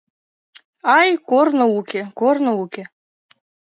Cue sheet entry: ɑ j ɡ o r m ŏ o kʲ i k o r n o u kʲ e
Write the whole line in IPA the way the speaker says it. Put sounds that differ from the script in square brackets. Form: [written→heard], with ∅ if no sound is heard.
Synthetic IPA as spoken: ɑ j [ɡ→k] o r [m→n] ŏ [o→u] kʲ [i→e] k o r n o u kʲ e